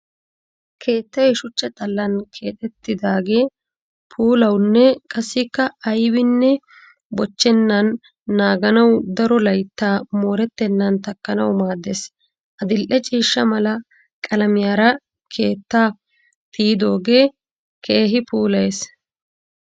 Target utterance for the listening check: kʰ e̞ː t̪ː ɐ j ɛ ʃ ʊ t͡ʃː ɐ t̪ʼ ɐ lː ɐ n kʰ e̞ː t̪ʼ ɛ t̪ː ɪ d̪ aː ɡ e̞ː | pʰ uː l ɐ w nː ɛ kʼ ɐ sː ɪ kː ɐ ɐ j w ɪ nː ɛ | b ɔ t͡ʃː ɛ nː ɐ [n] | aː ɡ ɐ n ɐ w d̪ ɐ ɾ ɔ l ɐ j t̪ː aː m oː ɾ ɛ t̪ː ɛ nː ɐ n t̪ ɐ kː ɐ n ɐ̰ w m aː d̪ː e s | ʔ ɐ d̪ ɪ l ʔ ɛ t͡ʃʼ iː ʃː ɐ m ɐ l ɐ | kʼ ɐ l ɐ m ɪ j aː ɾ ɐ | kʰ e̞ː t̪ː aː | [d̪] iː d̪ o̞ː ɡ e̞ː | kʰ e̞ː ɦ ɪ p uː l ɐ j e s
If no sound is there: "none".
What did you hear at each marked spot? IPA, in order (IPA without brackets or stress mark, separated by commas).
nː, t̪